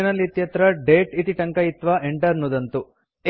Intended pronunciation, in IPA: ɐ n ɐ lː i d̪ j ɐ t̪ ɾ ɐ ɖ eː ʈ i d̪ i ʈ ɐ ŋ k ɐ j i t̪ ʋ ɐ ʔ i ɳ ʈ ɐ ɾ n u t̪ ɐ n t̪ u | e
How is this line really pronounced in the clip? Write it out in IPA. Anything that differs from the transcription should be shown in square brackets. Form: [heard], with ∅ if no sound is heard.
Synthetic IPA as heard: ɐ n ɐ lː i [t̪] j ɐ t̪ ɾ ɐ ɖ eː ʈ i [t̪] i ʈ ɐ ŋ k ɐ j i t̪ ʋ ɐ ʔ [e] ɳ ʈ ɐ ɾ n u [d̪] ɐ n t̪ u | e